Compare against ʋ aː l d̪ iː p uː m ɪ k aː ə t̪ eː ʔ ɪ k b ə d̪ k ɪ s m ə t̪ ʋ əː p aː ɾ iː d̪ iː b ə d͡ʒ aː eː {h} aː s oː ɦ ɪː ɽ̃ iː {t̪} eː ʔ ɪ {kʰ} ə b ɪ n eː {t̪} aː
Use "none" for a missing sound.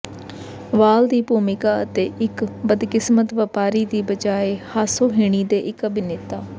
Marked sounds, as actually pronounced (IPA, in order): h, d̪, k, t̪

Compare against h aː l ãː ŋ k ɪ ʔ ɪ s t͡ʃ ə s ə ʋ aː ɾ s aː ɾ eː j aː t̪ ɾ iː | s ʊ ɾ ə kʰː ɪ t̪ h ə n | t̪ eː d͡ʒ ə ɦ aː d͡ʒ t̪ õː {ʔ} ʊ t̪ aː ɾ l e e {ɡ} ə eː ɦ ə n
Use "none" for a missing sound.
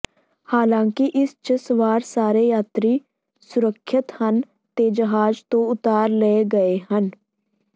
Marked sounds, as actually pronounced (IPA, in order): none, ɡ

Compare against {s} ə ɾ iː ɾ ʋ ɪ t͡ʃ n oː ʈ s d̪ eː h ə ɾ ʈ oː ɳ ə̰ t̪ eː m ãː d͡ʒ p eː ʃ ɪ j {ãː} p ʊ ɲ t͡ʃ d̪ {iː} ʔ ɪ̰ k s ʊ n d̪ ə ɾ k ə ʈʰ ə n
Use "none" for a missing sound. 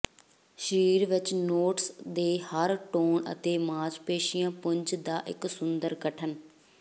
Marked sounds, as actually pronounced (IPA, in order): ʃ, ãː, aː

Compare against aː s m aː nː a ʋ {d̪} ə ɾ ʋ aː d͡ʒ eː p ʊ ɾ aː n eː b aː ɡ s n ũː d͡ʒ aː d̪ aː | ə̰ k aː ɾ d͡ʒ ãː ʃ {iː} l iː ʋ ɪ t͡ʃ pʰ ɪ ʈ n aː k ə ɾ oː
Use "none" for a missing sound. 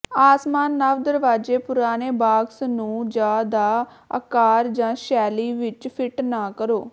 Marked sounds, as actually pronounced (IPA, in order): d̪, ɛː

